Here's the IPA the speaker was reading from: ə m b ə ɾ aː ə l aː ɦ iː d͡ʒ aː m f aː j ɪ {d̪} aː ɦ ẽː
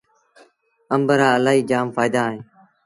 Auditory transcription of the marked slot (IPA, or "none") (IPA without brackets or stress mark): d̪